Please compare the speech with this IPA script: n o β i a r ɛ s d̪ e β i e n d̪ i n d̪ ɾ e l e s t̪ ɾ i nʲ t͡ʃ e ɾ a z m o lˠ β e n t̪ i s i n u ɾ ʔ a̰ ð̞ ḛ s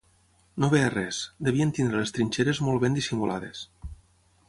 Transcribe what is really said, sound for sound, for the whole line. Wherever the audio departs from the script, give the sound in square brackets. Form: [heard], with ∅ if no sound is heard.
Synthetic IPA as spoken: n o β [e] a r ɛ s d̪ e β i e n [t̪] i n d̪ ɾ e l e s t̪ ɾ i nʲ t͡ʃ e ɾ [e] z m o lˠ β e n [d̪] i s i [m] u [l] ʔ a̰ ð̞ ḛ s